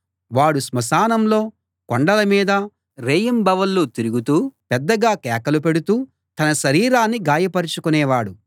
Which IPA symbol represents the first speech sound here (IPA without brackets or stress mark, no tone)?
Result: ʋ